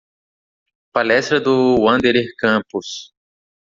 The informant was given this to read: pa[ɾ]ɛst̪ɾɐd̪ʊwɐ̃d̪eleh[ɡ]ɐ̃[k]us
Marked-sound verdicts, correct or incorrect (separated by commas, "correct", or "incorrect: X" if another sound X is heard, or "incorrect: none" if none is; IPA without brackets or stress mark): incorrect: l, incorrect: k, incorrect: p